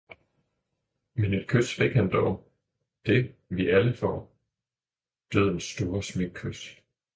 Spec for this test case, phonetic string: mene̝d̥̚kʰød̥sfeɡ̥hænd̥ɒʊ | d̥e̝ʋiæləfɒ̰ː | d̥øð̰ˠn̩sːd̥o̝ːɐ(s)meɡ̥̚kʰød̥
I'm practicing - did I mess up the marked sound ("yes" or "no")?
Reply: no